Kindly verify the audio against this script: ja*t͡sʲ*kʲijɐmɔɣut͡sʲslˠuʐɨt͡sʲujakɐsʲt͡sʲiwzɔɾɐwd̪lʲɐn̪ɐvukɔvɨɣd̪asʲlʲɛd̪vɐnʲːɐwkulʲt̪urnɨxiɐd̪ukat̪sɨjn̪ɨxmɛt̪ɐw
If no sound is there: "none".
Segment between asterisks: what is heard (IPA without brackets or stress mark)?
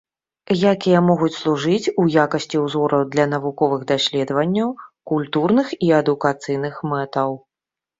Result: none